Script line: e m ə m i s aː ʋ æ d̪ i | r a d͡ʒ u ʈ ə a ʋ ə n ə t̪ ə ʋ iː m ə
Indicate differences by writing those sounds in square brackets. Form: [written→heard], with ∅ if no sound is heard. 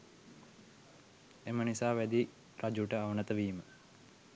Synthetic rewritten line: e m ə [m→n] i s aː ʋ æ d̪ i | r a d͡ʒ u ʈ ə a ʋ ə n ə t̪ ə ʋ iː m ə